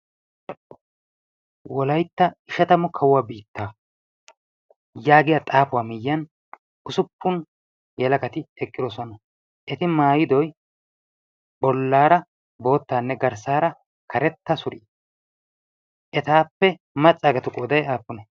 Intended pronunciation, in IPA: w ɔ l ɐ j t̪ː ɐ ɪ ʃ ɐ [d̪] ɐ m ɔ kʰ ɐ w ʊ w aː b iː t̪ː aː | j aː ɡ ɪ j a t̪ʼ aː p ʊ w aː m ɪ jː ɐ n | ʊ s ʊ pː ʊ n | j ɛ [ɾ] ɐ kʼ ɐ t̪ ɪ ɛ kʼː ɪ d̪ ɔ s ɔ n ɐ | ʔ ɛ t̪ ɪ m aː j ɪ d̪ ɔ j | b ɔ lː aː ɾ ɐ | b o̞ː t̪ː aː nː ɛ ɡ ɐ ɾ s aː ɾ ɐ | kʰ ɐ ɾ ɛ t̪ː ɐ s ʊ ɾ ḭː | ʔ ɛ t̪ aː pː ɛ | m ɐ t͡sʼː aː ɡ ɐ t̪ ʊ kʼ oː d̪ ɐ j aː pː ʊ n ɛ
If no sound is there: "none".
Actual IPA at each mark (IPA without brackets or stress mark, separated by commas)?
t̪, l